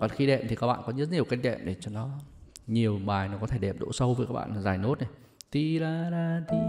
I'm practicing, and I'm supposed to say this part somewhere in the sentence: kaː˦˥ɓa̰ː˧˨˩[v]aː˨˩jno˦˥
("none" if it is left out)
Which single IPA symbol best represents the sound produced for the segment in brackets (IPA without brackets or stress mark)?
z